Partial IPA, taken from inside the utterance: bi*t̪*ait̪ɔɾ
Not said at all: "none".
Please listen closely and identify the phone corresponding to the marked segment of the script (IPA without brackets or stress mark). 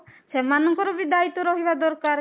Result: d̪